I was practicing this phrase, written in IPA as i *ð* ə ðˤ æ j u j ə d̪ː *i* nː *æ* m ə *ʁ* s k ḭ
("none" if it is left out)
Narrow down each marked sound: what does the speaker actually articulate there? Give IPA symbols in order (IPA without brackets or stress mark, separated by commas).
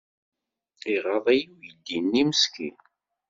ʁ, i, i, none